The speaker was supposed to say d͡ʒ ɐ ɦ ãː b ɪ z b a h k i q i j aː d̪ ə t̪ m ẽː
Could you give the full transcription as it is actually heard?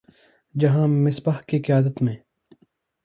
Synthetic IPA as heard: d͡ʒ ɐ ɦ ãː m ɪ s b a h k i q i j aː d̪ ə t̪ m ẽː